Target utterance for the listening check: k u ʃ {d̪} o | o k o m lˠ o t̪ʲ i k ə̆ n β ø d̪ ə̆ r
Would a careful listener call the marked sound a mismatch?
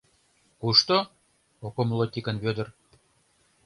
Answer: yes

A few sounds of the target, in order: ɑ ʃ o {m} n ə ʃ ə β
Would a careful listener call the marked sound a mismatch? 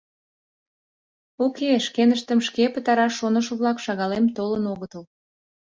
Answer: yes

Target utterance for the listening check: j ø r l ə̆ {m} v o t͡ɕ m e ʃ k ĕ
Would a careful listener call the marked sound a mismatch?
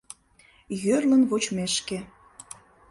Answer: yes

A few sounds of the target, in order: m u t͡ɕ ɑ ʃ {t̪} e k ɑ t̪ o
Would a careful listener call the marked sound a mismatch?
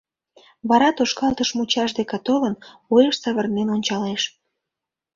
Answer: yes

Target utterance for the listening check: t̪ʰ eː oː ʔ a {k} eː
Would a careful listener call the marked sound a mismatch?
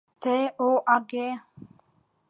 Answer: yes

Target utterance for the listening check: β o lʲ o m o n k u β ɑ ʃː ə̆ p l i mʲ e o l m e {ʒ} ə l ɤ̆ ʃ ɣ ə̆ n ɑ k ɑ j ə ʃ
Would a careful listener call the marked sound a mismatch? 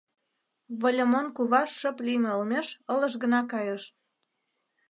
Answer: yes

